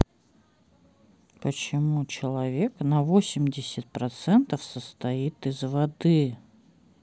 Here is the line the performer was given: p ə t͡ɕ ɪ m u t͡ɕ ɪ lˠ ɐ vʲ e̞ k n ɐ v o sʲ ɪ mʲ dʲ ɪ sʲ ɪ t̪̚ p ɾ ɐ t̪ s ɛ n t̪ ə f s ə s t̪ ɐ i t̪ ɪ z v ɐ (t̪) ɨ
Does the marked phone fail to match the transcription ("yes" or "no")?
yes